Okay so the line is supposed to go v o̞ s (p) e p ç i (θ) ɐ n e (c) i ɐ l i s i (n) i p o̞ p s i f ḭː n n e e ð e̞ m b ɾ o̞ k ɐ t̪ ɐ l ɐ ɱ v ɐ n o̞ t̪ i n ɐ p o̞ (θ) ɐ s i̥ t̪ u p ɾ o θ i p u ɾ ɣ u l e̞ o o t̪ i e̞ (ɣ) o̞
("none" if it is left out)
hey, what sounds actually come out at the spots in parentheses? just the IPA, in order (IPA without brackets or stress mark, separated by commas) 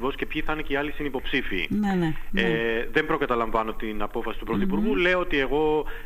c, θ, c, n, f, ɣ